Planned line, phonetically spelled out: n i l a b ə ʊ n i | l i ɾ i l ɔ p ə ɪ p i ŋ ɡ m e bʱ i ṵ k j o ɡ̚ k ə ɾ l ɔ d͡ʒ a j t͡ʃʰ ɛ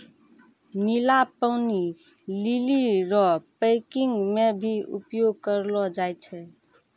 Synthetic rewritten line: n i l a p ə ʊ n i | l i l i ɾ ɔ p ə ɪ k i ŋ ɡ m e bʱ i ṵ p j o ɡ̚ k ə ɾ l ɔ d͡ʒ a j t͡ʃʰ ɛ